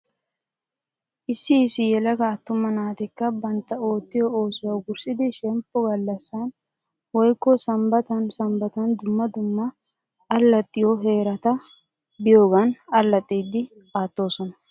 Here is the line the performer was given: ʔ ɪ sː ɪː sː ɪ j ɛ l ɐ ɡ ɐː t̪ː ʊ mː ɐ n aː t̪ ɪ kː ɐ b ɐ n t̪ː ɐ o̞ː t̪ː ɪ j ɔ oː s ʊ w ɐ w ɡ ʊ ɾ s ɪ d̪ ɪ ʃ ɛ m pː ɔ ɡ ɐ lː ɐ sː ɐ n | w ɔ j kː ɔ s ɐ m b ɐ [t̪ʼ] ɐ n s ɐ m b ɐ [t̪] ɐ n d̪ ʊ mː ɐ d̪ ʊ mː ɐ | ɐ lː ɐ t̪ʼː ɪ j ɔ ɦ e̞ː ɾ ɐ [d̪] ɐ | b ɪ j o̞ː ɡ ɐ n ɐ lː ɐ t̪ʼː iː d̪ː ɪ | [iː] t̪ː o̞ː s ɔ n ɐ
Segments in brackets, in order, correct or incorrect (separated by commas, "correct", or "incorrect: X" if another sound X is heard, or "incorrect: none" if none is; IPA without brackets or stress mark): incorrect: t̪, correct, incorrect: t̪, incorrect: aː